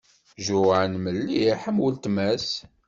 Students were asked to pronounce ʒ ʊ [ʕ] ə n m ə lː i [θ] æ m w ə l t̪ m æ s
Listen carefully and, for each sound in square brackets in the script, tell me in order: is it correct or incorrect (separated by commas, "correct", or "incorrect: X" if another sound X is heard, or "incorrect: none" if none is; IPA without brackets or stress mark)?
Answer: correct, incorrect: ħ